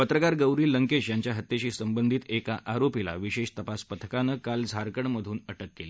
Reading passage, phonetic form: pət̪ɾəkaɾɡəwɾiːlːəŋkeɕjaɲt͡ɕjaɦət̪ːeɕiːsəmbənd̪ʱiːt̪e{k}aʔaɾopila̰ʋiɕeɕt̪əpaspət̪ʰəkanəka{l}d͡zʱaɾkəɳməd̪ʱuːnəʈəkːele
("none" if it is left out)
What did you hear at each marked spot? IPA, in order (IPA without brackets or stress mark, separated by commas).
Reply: k, l